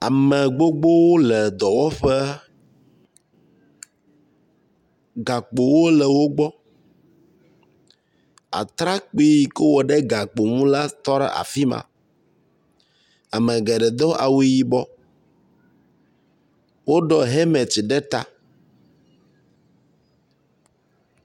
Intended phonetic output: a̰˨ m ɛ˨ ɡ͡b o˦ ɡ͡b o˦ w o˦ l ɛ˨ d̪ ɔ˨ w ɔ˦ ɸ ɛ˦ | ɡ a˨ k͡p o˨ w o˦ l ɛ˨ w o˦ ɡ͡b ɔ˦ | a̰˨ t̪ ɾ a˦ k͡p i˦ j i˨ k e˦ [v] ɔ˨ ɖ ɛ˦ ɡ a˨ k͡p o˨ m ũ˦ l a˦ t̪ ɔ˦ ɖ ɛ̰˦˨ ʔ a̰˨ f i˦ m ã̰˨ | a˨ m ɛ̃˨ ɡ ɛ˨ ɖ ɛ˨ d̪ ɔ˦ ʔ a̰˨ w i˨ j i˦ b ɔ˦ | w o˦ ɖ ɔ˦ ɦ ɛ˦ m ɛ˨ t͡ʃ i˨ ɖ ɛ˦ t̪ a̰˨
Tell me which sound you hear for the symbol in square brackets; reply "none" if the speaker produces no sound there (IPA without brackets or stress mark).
w